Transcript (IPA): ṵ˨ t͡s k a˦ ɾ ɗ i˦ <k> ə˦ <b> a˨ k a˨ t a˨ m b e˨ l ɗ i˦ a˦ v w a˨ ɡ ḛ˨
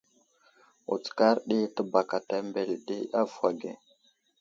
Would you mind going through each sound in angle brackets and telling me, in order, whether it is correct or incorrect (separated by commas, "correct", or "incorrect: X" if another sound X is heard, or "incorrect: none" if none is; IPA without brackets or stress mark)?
incorrect: t, correct